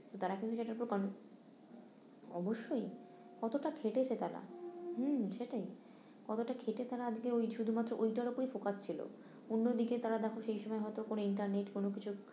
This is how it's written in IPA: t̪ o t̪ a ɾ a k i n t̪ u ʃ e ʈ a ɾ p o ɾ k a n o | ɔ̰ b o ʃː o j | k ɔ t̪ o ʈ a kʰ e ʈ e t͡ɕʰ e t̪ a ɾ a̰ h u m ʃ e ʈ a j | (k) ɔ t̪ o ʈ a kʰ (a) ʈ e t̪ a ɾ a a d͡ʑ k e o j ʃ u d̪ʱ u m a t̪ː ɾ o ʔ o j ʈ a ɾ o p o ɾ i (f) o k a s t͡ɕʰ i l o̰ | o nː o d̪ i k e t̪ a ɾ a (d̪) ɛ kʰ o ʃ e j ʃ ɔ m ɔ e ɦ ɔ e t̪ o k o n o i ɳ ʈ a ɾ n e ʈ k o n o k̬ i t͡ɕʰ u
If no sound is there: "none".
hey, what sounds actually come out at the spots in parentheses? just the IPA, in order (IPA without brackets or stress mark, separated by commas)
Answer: k, e, f, d̪